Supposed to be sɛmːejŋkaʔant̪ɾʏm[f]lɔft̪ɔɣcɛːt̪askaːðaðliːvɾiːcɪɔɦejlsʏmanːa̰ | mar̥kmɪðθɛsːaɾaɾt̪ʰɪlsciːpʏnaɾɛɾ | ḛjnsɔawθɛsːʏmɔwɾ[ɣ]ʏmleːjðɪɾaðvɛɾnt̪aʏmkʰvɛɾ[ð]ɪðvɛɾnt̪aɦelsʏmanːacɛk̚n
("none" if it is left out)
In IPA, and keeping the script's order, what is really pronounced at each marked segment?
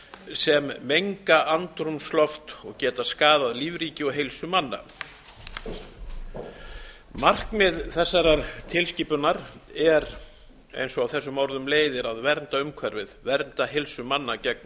s, ð, v

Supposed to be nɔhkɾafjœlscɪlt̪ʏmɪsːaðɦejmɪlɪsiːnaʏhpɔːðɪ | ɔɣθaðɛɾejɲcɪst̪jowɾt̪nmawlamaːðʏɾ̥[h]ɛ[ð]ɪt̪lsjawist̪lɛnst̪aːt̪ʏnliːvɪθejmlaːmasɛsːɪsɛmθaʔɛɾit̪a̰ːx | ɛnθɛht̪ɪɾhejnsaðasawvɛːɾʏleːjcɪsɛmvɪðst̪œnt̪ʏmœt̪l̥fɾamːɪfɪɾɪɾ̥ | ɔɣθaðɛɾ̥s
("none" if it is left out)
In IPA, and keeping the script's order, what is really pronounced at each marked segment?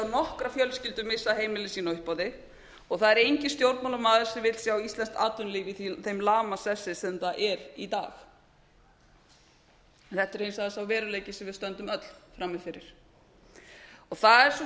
s, v

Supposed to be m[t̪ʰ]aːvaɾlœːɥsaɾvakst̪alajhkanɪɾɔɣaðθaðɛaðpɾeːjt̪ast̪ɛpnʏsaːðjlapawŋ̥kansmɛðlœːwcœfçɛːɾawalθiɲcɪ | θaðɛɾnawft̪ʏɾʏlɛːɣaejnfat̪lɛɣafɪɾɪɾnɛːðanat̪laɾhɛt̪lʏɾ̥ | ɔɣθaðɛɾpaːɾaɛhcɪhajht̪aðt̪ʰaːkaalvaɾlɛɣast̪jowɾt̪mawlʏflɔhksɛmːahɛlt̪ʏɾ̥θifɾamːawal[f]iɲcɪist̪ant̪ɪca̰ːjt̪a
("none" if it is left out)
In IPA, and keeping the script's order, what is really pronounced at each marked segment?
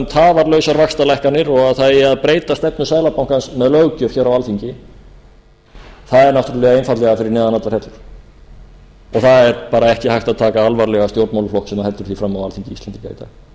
t̪ʰ, θ

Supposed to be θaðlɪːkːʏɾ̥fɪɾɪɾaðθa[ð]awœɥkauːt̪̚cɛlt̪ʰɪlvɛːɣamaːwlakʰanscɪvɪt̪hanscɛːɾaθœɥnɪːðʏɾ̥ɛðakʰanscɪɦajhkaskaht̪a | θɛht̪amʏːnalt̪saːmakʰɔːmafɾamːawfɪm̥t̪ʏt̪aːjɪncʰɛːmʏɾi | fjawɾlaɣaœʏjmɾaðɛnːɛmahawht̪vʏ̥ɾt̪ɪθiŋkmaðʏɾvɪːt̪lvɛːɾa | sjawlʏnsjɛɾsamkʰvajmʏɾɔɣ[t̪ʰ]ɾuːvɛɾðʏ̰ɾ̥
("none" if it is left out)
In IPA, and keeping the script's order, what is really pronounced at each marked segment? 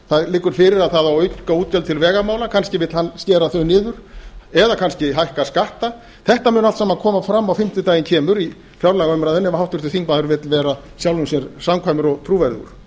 ð, t̪ʰ

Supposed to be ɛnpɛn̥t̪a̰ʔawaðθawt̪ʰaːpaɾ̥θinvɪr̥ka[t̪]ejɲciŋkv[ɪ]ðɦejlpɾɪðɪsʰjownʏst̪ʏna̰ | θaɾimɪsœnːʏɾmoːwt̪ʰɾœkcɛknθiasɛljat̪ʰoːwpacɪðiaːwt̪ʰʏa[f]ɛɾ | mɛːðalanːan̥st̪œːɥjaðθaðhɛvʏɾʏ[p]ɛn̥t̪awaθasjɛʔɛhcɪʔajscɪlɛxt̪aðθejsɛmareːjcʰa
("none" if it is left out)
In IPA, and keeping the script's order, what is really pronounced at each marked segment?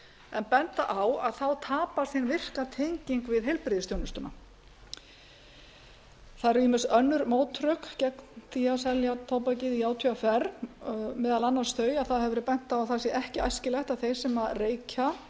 t̪ʰ, ɪ, f, p

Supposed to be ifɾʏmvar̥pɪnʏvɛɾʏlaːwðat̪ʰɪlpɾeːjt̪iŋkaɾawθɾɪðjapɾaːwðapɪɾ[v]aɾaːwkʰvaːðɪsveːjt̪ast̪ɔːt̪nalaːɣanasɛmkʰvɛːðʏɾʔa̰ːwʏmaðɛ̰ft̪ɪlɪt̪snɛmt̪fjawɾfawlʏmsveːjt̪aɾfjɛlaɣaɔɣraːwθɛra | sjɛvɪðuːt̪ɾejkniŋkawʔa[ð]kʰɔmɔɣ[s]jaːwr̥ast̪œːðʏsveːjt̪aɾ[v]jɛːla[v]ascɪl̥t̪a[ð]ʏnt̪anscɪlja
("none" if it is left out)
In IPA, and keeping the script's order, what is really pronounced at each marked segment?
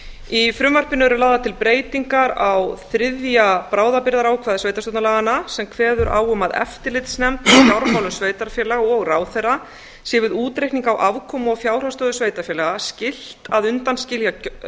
ð, v, f, f, ɣ, ð

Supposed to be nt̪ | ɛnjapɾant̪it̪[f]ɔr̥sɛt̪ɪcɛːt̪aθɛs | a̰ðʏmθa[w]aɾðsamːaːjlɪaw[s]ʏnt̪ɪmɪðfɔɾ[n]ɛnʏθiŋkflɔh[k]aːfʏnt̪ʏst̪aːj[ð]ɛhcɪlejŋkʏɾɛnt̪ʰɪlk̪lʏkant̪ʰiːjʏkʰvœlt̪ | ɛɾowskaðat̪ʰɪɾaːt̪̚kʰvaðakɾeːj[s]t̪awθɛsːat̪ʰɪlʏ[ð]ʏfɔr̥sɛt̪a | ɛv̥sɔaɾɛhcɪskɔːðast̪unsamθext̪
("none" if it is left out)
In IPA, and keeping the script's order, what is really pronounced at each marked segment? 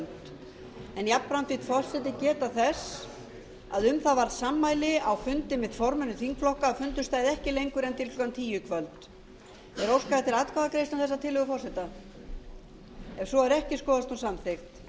f, v, f, m, k, ð, s, ɣ

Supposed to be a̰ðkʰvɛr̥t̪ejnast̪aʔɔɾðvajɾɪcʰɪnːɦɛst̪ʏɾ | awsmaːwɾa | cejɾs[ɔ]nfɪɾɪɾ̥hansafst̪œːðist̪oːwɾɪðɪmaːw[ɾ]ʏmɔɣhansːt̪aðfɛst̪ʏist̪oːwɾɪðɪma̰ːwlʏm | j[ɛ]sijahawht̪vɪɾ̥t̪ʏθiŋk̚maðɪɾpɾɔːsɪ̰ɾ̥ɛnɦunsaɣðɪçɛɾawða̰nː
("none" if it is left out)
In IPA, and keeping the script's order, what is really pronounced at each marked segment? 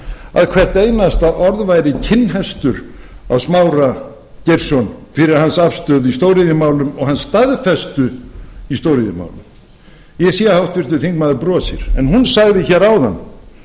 ɔ, l, ɛ

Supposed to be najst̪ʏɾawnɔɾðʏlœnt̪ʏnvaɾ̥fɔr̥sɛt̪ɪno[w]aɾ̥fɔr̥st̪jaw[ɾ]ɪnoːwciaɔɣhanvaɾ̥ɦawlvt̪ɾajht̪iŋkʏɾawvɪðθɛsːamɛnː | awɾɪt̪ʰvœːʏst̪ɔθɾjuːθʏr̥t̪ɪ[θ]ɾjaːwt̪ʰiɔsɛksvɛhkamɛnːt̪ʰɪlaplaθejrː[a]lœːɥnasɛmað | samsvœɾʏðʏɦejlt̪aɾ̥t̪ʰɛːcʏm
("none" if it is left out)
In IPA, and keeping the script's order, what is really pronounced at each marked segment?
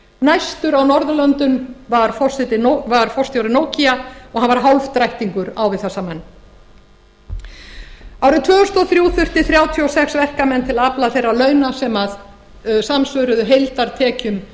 v, ɾ, θ, a

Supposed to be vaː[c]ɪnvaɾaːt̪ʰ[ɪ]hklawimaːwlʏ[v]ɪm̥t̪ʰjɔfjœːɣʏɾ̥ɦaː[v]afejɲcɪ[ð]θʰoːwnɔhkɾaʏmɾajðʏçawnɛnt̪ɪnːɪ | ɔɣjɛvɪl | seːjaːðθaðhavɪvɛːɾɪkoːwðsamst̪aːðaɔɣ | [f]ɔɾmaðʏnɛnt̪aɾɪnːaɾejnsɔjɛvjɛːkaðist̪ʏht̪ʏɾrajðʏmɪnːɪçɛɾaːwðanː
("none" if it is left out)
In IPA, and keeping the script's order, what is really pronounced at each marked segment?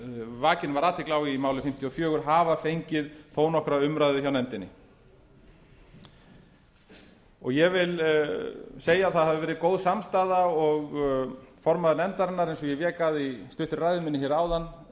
c, ɪ, f, v, ð, f

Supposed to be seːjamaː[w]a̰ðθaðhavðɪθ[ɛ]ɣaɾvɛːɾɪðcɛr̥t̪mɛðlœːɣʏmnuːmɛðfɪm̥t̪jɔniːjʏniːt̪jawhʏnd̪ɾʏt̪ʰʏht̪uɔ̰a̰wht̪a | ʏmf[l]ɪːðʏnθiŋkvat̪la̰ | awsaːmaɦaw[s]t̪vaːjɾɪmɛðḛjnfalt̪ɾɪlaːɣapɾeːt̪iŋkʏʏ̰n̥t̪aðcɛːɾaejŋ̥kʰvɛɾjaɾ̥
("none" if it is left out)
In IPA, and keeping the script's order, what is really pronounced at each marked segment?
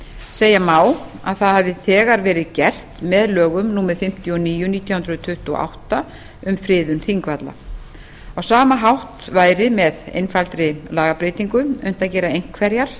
w, ɛː, ɾ, h

